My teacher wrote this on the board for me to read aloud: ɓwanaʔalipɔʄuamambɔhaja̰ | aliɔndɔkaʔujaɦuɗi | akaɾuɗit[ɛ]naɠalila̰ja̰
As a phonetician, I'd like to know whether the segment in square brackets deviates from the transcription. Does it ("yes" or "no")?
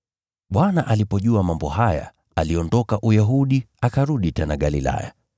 no